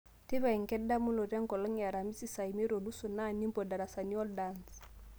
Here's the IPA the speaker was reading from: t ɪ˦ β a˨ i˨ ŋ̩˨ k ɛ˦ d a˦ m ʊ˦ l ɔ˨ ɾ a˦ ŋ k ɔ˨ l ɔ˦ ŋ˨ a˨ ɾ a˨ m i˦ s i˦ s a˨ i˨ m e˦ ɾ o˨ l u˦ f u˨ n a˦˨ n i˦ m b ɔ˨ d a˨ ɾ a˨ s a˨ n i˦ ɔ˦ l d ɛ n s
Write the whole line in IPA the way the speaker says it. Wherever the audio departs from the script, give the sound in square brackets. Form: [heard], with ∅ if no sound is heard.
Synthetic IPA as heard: t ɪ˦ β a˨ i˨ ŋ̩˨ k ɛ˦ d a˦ m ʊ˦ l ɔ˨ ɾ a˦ ŋ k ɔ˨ l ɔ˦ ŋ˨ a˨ ɾ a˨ m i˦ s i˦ s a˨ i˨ m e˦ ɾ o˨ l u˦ [s] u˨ n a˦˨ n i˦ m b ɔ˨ d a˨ ɾ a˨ s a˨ n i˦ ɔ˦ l d [a] n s